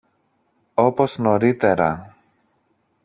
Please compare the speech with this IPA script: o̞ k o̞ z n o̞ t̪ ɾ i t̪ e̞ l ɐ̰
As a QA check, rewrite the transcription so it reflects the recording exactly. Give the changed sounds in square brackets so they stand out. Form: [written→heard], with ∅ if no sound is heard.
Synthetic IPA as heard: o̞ [k→p] o̞ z n o̞ [t̪→∅] ɾ i t̪ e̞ [l→ɾ] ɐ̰